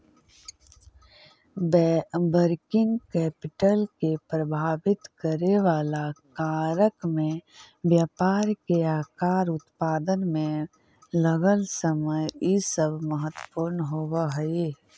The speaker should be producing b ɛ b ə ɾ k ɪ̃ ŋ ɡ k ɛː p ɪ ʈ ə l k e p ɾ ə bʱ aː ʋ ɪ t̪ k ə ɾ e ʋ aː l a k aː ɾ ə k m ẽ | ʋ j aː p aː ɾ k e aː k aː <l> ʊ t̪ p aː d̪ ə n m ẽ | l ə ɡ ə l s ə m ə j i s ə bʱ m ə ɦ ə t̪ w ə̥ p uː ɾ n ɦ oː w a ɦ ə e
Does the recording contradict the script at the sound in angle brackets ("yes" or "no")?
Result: yes